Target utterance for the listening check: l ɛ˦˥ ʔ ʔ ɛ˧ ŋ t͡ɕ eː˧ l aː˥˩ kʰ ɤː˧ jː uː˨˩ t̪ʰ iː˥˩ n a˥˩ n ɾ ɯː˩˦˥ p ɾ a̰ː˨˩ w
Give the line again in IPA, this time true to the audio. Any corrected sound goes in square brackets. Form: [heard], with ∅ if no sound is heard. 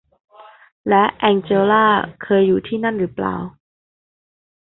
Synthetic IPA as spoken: l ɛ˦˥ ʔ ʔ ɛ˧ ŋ t͡ɕ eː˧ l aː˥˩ kʰ ɤː˧ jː uː˨˩ t̪ʰ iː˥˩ n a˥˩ n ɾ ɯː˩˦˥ p [l] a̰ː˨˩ w